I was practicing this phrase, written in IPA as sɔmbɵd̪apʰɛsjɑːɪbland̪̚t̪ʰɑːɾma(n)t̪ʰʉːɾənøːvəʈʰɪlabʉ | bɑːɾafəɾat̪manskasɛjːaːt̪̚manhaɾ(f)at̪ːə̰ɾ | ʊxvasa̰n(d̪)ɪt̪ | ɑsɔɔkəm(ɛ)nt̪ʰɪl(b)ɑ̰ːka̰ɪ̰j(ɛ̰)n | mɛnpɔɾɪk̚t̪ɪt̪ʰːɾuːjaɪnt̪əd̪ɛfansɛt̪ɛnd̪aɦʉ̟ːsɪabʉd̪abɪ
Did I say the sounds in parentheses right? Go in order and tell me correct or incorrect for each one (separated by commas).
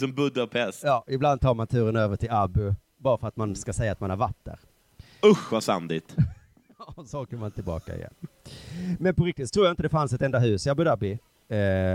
correct, incorrect, correct, incorrect, correct, correct